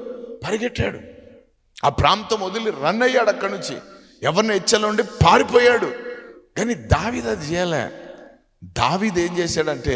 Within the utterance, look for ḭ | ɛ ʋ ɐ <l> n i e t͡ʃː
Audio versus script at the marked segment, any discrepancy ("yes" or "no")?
yes